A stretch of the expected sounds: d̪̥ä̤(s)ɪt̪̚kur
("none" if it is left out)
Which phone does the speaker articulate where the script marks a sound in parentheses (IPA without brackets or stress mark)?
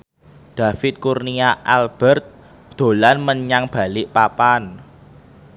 f